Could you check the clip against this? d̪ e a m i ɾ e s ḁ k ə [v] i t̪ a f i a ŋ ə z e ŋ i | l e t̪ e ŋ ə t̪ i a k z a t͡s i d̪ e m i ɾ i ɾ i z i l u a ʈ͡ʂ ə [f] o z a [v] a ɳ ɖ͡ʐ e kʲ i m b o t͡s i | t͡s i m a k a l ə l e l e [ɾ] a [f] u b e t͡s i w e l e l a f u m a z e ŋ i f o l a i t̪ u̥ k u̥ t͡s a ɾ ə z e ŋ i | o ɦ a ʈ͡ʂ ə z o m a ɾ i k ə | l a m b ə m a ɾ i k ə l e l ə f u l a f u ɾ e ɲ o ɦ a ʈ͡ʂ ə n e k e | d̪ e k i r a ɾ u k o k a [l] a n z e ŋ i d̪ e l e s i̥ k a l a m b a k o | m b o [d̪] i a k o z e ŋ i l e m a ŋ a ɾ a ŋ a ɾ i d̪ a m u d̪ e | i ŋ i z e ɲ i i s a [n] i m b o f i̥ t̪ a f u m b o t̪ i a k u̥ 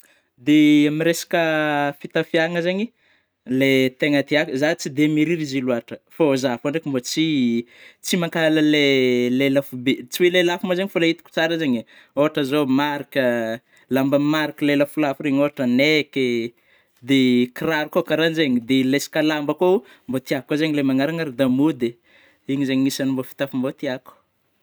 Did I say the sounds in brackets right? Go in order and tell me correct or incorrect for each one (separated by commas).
incorrect, correct, incorrect, incorrect, correct, incorrect, incorrect, correct